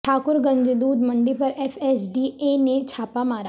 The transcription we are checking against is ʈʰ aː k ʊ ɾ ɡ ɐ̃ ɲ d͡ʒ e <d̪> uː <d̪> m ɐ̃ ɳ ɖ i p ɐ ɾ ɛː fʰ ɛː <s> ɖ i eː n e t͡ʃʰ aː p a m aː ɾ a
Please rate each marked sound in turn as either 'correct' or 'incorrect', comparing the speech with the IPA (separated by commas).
correct, correct, correct